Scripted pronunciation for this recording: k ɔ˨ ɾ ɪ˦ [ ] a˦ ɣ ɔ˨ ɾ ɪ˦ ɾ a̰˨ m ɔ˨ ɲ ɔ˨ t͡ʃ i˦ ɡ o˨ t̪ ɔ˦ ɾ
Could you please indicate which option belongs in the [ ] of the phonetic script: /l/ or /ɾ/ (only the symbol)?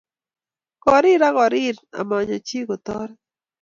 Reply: ɾ